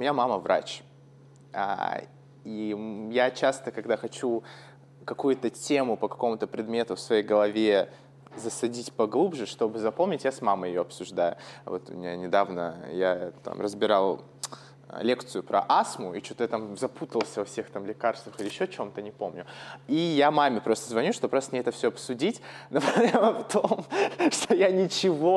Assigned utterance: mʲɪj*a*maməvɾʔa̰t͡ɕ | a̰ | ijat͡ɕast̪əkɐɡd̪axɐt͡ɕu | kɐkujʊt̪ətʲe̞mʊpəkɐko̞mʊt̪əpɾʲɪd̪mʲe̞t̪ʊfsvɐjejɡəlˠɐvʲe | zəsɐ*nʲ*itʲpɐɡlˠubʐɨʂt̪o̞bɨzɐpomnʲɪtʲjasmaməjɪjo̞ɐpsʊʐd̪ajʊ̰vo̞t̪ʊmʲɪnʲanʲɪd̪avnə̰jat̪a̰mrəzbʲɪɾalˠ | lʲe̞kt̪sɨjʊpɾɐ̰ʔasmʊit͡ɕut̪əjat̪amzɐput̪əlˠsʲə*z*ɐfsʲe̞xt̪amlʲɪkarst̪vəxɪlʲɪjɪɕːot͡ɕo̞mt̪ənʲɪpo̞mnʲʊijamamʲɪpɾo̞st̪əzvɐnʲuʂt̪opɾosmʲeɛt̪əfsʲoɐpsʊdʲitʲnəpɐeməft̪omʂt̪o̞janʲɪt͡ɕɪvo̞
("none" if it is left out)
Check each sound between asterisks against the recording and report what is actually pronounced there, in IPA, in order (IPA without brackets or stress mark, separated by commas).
a, dʲ, v